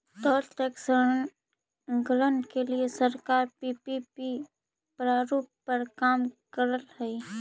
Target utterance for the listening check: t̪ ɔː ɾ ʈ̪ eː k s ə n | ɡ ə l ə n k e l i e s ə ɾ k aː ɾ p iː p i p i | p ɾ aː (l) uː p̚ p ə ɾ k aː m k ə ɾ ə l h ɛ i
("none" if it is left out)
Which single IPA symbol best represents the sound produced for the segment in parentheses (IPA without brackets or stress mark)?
ɾ